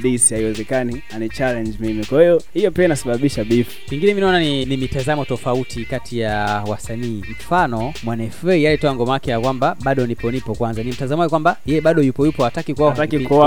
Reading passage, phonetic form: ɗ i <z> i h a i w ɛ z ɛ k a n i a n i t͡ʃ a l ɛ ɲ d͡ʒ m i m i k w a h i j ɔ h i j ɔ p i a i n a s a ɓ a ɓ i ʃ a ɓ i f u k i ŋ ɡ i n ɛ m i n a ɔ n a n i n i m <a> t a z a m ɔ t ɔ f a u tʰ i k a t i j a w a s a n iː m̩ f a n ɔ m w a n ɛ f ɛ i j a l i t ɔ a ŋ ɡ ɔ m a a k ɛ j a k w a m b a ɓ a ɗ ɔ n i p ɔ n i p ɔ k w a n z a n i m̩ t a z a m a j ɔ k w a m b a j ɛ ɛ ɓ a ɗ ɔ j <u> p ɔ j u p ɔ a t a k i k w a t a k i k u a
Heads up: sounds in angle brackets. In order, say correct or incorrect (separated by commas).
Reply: incorrect, incorrect, correct